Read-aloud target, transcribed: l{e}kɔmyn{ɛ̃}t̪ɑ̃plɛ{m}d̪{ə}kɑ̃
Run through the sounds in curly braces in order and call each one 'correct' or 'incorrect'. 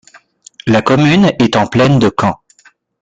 incorrect: a, incorrect: ɛ, incorrect: n, correct

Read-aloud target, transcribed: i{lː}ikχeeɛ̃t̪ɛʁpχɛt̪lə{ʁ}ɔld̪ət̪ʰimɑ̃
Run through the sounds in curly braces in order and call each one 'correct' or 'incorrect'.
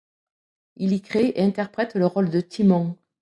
incorrect: l, correct

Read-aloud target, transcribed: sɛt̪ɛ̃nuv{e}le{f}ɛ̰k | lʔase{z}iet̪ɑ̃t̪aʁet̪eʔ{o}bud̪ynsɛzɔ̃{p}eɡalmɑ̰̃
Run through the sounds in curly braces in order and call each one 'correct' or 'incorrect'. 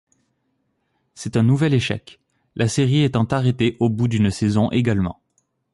incorrect: ɛ, incorrect: ʃ, incorrect: ʁ, correct, incorrect: ʔ

